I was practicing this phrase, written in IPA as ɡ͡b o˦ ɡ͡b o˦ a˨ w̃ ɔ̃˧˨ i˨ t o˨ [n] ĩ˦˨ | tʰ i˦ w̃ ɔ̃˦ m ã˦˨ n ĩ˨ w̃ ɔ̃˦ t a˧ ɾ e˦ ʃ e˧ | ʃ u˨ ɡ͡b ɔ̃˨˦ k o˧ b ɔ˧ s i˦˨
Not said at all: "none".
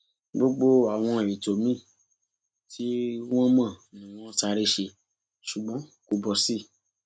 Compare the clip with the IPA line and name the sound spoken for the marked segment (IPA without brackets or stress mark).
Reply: m